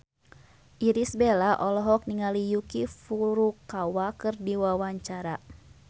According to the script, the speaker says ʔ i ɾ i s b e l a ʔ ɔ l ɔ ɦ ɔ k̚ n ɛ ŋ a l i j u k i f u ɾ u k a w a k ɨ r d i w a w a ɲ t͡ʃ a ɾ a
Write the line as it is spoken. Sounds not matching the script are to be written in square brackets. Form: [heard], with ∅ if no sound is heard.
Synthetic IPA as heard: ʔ i ɾ i s b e l a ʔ ɔ l ɔ ɦ ɔ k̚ n [i] ŋ a l i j u k i f u ɾ u k a w a k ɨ r d i w a w a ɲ t͡ʃ a ɾ a